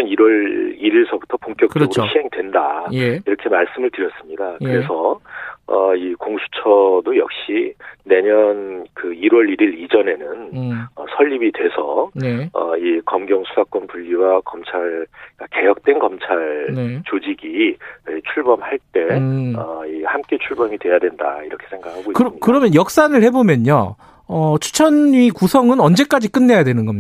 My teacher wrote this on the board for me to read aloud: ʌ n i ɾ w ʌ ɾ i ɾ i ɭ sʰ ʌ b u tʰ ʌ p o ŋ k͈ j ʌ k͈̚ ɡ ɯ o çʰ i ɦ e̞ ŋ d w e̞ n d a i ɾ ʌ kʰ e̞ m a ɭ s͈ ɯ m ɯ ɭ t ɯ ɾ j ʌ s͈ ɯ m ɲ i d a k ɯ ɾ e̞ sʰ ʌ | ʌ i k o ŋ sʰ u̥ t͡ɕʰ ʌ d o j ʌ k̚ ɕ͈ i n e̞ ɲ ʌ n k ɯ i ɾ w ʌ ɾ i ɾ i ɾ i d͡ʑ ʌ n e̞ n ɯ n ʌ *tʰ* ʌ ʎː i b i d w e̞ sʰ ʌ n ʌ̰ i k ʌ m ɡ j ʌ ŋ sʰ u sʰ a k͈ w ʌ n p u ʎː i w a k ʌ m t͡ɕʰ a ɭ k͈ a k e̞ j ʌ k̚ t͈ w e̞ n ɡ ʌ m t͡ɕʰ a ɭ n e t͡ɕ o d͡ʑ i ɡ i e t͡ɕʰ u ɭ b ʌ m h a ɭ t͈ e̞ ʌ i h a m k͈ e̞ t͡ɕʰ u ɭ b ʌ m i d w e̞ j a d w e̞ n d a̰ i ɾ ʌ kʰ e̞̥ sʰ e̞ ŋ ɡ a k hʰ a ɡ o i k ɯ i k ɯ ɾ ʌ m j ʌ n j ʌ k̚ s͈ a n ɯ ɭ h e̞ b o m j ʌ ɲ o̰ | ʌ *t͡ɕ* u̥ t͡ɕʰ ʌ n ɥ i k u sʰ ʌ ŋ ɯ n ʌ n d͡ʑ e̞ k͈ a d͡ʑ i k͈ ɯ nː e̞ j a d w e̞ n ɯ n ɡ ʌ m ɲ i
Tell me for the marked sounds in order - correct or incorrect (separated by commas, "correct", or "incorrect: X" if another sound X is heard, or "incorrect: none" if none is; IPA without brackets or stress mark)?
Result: incorrect: sʰ, incorrect: t͡ɕʰ